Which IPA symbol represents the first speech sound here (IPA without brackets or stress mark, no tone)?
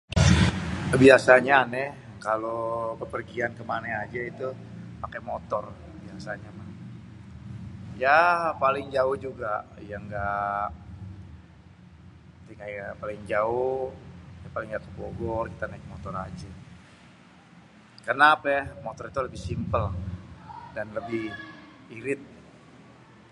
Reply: b